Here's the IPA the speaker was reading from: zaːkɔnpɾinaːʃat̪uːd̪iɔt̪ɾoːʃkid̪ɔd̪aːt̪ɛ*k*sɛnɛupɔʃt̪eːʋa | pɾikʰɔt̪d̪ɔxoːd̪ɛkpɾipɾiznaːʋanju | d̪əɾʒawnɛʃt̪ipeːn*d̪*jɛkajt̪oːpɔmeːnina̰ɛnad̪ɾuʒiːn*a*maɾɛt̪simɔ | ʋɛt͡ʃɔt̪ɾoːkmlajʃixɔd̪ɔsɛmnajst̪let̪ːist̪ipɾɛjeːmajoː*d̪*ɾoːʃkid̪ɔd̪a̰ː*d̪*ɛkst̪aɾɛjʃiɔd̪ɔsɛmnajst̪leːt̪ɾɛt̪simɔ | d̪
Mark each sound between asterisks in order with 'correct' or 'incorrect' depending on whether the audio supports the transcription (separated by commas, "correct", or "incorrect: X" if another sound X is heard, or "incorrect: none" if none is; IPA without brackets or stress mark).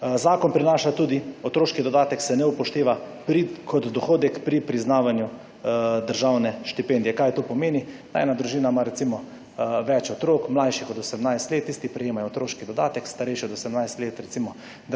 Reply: correct, correct, correct, incorrect: t̪, incorrect: t̪